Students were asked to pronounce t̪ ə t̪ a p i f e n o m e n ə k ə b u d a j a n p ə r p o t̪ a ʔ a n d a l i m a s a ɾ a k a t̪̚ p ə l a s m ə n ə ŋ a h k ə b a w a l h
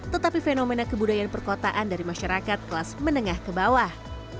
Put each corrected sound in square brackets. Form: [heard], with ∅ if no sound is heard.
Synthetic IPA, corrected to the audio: t̪ ə t̪ a p i f e n o m e n [a] k ə b u d a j a n p ə r [k] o t̪ a ʔ a n d a [ɾ] i m a [ʃ] a ɾ a k a t̪̚ [k] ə l a s m ə n ə ŋ a h k ə b a w a [∅] h